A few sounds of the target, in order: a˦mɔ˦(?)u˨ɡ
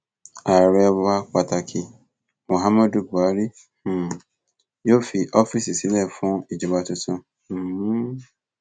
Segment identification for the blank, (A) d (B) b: A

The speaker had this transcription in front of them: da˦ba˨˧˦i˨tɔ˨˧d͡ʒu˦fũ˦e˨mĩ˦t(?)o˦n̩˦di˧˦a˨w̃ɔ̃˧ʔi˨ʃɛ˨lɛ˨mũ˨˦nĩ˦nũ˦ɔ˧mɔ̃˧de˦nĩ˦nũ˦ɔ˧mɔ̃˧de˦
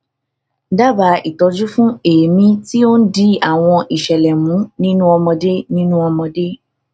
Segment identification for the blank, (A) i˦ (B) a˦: A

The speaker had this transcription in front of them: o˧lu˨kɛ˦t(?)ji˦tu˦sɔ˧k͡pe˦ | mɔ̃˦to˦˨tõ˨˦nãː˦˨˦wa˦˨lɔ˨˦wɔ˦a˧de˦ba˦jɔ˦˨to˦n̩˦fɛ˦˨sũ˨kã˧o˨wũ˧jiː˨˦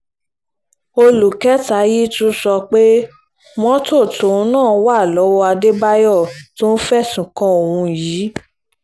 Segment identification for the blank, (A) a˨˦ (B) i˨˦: A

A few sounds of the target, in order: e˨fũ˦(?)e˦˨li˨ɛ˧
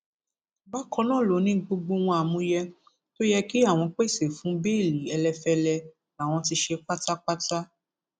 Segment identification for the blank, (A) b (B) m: A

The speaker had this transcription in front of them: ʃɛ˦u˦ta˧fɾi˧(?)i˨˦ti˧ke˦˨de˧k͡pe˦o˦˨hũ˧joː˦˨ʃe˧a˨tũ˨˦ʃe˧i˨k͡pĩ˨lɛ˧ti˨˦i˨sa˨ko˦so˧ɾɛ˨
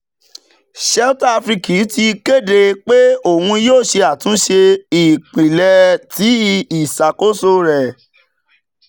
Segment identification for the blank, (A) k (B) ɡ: A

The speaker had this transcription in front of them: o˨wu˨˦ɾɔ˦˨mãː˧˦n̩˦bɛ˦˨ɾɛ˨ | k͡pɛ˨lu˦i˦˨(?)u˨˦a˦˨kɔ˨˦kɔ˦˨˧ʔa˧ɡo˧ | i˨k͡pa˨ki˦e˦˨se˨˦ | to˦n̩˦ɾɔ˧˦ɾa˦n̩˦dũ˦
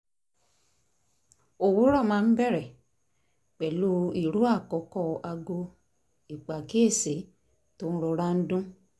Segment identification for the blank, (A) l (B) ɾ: B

